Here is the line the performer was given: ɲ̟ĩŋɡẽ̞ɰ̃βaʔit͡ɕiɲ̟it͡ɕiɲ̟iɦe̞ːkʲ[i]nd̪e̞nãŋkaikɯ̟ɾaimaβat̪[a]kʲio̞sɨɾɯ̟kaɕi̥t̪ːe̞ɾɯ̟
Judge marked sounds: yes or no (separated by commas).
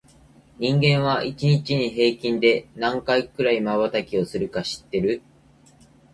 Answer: no, yes